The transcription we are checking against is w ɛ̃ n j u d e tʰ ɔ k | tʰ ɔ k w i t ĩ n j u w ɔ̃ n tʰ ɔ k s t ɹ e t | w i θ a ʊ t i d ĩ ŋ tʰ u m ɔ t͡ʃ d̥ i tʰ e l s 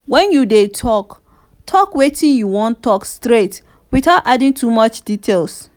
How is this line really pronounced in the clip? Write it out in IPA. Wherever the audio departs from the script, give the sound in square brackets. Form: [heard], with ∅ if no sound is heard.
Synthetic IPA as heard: w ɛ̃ n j u d e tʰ ɔ k | tʰ ɔ k w [e] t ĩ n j u w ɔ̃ n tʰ ɔ k s t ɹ e t | w i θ a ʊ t [a] d ĩ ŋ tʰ u m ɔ t͡ʃ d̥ i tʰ e l s